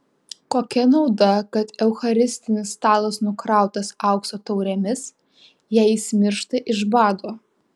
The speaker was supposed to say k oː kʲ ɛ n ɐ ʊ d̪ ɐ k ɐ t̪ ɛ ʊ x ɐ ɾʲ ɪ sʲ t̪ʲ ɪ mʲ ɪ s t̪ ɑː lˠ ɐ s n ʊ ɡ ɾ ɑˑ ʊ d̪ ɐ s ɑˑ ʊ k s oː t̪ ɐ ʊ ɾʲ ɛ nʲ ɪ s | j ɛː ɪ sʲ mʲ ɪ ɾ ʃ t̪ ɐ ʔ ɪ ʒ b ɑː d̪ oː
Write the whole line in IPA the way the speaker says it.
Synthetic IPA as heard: k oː kʲ ɛ n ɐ ʊ d̪ ɐ k ɐ t̪ ɛ ʊ x ɐ ɾʲ ɪ sʲ t̪ʲ ɪ nʲ ɪ s t̪ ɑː lˠ ɐ s n ʊ k ɾ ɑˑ ʊ t̪ ɐ s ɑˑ ʊ k s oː t̪ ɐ ʊ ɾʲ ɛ mʲ ɪ s | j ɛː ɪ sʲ mʲ ɪ ɾ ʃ t̪ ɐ ʔ ɪ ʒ b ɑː d̪ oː